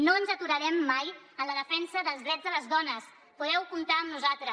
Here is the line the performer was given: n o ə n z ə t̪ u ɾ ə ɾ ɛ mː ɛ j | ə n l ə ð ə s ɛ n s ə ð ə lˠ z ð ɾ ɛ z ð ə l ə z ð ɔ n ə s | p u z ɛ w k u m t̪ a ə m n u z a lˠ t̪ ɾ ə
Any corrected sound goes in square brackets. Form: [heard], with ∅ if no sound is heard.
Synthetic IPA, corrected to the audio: n o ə n z ə t̪ u ɾ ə ɾ ɛ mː [a] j | ə n l ə ð ə [f] ɛ n s ə ð ə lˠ z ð ɾ ɛ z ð ə l ə z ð ɔ n ə s | p u [ð] ɛ w k u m t̪ a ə m n u z a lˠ t̪ ɾ ə